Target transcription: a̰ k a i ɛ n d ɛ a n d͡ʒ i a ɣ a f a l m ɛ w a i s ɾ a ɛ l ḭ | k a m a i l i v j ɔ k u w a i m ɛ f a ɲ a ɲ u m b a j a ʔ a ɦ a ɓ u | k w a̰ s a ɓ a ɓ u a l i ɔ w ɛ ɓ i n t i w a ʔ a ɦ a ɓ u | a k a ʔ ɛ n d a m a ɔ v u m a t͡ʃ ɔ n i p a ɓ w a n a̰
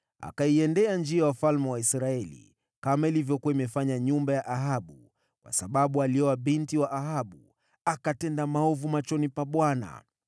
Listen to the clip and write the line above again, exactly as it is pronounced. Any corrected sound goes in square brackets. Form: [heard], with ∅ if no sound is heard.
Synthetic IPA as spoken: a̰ k a i ɛ n d ɛ a n d͡ʒ i a [w] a f a l m ɛ w a i s ɾ a ɛ l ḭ | k a m a i l i v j ɔ k u w a i m ɛ f a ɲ a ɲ u m b a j a ʔ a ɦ a ɓ u | k w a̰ s a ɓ a ɓ u a l i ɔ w [a] ɓ i n t i w a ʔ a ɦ a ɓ u | a k a [t] ɛ n d a m a ɔ v u m a t͡ʃ ɔ n i p a ɓ w a n a̰